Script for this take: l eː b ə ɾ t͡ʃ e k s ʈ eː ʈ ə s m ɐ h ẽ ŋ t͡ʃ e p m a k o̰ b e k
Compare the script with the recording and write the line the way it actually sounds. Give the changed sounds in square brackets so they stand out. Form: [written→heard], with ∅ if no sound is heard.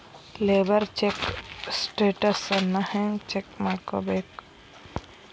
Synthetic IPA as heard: l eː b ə ɾ t͡ʃ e k s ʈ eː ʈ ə s [m→n] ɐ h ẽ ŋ t͡ʃ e [p→k] m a k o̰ b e k